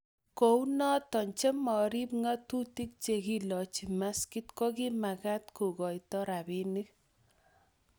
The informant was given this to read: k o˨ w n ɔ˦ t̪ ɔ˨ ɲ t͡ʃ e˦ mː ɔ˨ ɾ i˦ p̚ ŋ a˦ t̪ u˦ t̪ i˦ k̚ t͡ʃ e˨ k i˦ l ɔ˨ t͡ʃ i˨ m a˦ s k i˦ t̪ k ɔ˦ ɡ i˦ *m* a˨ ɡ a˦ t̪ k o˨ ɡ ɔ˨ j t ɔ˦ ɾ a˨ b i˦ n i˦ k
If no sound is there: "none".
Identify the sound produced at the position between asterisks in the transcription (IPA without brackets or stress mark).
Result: m